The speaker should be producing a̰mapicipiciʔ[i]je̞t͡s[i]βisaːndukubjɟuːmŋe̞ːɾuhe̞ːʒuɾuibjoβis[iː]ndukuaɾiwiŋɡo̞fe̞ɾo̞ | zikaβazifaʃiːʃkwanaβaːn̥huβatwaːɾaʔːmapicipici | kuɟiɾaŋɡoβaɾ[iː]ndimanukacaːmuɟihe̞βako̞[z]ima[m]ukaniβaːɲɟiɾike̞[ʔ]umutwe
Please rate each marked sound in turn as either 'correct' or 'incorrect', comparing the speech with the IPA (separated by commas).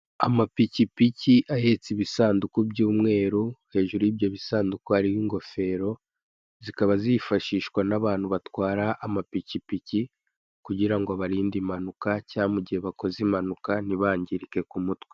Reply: incorrect, correct, incorrect, correct, correct, incorrect, incorrect